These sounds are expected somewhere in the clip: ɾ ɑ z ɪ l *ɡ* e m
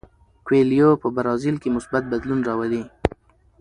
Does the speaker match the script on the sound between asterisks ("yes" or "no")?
no